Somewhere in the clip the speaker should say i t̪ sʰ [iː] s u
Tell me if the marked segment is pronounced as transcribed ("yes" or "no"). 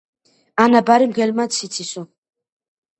no